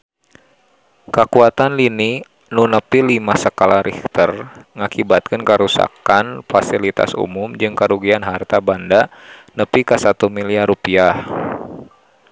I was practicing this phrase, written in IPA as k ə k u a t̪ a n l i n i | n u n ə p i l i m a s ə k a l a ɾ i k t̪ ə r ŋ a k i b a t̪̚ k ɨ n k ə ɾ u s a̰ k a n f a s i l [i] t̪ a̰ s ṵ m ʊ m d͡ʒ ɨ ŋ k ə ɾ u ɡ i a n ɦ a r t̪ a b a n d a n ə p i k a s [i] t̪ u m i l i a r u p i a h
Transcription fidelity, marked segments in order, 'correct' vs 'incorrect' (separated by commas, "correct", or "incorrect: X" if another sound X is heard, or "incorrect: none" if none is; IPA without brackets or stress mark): correct, incorrect: a